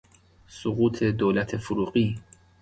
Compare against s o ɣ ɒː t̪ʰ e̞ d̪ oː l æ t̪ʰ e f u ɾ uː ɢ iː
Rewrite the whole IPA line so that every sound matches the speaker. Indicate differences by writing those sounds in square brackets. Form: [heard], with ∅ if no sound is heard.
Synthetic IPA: s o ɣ [uː] t̪ʰ e̞ d̪ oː l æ t̪ʰ e f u ɾ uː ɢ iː